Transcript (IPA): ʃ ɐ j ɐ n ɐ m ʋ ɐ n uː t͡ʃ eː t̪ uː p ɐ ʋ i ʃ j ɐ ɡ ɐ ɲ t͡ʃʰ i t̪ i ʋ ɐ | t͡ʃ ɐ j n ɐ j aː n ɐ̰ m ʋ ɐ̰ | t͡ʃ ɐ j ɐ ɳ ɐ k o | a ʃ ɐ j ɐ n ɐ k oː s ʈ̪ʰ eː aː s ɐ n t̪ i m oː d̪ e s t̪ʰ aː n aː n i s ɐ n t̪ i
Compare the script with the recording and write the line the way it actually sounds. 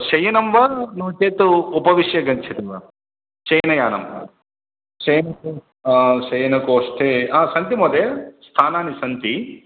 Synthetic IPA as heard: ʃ ɐ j ɐ n ɐ m ʋ ɐ n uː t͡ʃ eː t̪ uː p ɐ ʋ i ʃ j ɐ ɡ ɐ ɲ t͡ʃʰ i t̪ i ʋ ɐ | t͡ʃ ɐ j n ɐ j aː n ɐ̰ m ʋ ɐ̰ | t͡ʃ ɐ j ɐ n ɐ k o | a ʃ ɐ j ɐ n ɐ k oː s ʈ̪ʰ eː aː s ɐ n t̪ i m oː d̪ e s t̪ʰ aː n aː n i s ɐ n t̪ i